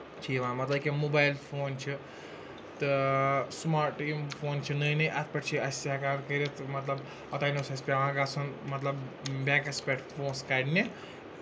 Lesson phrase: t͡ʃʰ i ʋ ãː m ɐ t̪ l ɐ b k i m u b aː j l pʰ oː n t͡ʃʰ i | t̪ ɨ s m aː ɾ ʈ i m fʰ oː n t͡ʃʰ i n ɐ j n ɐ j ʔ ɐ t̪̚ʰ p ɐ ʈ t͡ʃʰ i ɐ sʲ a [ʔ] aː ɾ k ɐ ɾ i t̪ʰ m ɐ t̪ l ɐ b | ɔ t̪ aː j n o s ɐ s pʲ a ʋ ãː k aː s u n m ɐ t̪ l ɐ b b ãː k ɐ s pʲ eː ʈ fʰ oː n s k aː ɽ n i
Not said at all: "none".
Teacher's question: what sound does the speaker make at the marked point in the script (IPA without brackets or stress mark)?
k